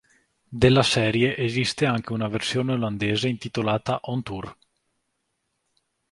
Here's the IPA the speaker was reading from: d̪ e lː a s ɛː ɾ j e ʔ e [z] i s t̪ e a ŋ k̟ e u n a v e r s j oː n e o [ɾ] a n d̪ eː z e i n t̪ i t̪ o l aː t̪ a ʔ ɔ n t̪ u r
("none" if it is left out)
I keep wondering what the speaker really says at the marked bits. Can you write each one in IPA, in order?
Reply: z, l

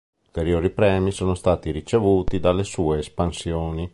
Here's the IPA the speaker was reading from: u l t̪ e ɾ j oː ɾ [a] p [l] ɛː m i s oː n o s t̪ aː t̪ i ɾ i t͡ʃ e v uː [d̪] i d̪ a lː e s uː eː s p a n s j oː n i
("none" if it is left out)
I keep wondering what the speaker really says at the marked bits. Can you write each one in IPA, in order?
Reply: i, ɾ, t̪

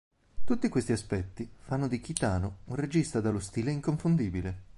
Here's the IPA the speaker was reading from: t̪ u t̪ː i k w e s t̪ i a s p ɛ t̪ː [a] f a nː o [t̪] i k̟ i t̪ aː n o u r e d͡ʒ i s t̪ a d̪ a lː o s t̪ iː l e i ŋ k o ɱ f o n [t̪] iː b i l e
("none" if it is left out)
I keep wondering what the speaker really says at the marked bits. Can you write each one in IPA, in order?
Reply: i, d̪, d̪

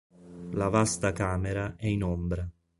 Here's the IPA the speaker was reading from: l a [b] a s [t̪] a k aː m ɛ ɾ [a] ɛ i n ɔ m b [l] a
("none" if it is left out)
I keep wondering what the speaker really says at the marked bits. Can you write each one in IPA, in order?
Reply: v, t̪, a, ɾ

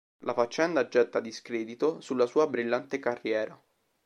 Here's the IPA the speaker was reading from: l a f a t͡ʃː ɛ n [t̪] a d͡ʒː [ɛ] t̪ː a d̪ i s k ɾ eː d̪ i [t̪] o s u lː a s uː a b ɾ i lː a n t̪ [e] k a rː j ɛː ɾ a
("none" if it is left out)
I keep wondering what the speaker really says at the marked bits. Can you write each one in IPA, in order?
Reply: d̪, ɛ, t̪, e

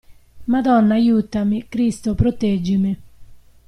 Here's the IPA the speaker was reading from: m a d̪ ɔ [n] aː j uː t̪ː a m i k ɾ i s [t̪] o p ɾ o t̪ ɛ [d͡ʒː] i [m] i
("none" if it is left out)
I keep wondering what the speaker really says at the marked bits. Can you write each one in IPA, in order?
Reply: nː, t̪, d͡ʒː, m

